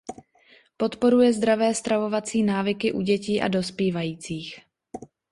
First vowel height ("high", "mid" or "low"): mid